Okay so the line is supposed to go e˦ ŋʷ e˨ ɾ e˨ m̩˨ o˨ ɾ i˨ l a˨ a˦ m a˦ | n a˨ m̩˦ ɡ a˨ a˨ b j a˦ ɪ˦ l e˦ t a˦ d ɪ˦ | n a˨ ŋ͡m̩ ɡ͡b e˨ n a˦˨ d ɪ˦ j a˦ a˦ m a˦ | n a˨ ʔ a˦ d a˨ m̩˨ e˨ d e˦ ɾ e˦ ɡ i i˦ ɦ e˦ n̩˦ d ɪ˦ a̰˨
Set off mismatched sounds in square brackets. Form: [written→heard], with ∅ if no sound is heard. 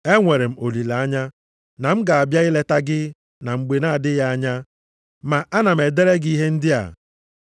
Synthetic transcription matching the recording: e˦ ŋʷ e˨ ɾ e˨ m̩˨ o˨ [ɾ→l] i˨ l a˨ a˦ [m→ɲ] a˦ | n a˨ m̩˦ ɡ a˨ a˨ b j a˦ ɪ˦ l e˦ t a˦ [d→ɡ] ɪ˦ | n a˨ ŋ͡m̩ ɡ͡b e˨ n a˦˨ d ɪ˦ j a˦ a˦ [m→ɲ] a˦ | [n→m] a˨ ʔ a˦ [d→n] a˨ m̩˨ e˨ d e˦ ɾ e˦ ɡ i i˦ ɦ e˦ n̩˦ d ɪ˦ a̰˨